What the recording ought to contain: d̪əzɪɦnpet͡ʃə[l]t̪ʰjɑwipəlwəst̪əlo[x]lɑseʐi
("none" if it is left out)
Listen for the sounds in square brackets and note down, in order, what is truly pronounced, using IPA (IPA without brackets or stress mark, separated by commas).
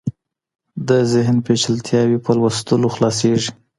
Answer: l, x